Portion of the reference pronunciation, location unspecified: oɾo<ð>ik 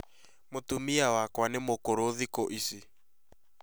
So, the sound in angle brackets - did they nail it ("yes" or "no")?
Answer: yes